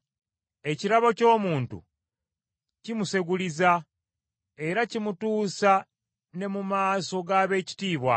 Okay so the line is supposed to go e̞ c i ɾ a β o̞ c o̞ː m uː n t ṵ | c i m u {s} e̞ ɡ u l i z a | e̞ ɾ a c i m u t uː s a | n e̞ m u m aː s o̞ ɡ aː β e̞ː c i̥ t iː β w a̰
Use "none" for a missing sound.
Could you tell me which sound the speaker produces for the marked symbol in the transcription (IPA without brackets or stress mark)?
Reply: s